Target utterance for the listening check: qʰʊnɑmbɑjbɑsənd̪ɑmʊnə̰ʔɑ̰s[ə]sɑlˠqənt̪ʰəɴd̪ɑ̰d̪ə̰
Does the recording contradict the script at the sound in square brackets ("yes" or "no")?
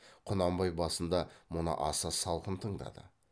yes